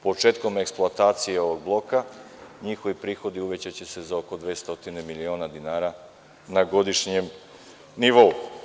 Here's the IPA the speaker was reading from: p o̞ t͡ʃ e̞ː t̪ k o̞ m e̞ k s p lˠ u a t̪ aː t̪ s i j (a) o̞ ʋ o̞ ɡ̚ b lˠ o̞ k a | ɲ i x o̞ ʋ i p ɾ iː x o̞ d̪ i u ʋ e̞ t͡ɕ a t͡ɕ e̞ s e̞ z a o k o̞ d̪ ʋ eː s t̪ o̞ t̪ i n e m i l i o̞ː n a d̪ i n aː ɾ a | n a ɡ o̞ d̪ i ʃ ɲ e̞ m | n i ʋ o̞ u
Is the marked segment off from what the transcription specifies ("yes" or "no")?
yes